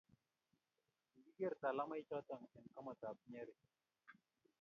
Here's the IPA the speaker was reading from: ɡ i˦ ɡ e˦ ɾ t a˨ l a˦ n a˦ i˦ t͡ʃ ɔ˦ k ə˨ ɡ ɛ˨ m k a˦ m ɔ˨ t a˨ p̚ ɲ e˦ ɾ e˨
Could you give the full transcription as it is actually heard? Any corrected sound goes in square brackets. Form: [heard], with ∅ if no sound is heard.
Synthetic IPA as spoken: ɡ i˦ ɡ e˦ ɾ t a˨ l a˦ [m] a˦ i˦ t͡ʃ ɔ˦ [t] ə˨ [ŋ] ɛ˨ [n] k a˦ m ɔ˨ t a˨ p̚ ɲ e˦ ɾ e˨